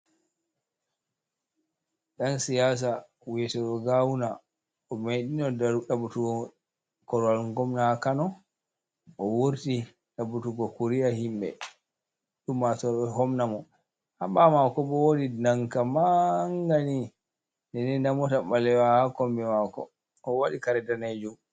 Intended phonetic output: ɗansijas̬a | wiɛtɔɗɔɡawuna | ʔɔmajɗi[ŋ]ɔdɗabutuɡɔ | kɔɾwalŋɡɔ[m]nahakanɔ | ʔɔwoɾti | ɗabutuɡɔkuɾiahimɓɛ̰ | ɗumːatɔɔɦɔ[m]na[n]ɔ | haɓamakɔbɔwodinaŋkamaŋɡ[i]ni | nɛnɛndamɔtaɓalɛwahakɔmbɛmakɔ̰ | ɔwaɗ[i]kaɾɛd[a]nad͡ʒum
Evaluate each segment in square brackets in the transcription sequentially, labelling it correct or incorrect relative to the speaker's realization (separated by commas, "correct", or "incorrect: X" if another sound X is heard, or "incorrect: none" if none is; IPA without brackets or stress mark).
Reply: incorrect: n, correct, correct, incorrect: m, incorrect: a, correct, correct